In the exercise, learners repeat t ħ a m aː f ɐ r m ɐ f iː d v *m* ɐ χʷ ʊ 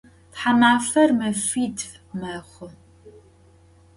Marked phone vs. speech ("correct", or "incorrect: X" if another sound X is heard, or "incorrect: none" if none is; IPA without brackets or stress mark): correct